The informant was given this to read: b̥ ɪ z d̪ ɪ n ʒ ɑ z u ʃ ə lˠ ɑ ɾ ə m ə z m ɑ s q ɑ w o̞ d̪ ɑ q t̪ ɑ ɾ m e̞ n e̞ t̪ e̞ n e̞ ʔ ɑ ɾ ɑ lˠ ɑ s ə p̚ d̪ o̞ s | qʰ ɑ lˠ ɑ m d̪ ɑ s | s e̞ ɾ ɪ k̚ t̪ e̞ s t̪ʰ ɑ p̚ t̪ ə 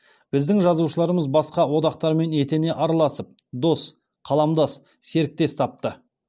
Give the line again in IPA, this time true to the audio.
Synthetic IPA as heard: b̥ ɪ z d̪ ɪ ŋ ʒ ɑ z u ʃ ə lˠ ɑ ɾ ə m ə z b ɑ s q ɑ w o̞ d̪ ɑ q t̪ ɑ ɾ m e̞ n e̞ t̪ e̞ n e̞ ʔ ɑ ɾ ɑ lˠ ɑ s ə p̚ d̪ o̞ s | qʰ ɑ lˠ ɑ m d̪ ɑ s | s e̞ ɾ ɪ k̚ t̪ e̞ s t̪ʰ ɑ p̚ t̪ ə